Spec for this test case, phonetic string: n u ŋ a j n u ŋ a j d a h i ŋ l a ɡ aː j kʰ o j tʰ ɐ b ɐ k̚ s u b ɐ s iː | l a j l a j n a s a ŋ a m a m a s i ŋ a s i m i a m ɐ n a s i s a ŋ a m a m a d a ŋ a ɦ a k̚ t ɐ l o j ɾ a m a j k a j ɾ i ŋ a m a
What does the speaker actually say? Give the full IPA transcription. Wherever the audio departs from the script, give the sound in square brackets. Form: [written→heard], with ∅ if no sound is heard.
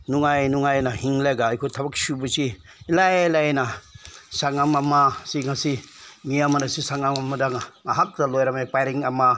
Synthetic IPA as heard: n u ŋ a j n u ŋ a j [d→n] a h i ŋ l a ɡ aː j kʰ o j tʰ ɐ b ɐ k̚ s u b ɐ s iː | l a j l a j n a s a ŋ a m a m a s i ŋ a s i m i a m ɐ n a s i s a ŋ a m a m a d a ŋ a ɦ a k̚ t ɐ l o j ɾ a m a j [k→p] a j ɾ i ŋ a m a